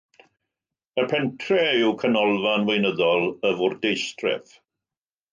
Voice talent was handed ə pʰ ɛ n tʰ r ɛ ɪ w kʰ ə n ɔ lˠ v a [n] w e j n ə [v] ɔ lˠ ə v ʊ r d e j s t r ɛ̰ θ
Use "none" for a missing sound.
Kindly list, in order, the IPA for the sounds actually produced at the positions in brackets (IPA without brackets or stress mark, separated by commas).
n, ð